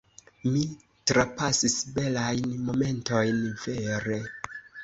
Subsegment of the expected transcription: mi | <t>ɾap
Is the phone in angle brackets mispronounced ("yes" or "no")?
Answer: no